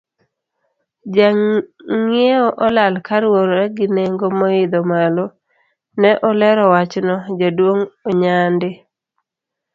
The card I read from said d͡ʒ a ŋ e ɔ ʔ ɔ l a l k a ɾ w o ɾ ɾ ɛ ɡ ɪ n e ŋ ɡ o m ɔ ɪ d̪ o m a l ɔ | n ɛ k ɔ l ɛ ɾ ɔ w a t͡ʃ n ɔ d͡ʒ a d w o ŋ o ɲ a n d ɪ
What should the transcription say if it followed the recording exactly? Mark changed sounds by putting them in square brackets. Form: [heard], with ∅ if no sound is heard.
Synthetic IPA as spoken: d͡ʒ a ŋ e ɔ ʔ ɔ l a l k a ɾ w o ɾ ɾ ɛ ɡ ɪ n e ŋ ɡ o m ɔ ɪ d̪ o m a l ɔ | n ɛ [ʔ] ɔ l ɛ ɾ ɔ w a t͡ʃ n ɔ d͡ʒ a d w o ŋ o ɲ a n d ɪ